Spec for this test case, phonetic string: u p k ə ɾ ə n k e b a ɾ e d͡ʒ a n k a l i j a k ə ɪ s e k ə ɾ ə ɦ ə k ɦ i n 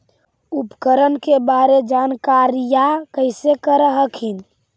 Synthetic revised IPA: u p k ə ɾ ə n k e b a ɾ e d͡ʒ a n k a ɾ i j a k ə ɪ s e k ə ɾ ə ɦ ə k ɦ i n